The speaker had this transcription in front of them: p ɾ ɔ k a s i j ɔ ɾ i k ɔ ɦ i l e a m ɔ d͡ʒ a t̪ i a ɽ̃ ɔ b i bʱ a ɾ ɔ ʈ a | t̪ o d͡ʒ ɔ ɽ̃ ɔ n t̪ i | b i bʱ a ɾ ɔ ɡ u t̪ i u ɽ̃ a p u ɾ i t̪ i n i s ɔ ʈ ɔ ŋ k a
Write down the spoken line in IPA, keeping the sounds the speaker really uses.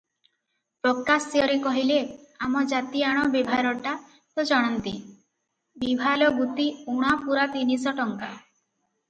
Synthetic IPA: p ɾ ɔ k a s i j ɔ ɾ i k ɔ ɦ i l e a m ɔ d͡ʒ a t̪ i a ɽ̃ ɔ b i bʱ a ɾ ɔ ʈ a | t̪ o d͡ʒ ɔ ɽ̃ ɔ n t̪ i | b i bʱ a l ɔ ɡ u t̪ i u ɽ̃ a p u ɾ a t̪ i n i s ɔ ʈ ɔ ŋ k a